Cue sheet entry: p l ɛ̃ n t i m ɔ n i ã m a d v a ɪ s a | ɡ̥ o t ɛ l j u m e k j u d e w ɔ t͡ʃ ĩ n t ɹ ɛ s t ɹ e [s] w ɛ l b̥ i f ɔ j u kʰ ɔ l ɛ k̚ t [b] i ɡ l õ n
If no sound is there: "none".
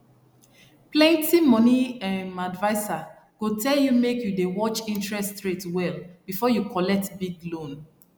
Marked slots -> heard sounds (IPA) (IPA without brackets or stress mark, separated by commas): t, b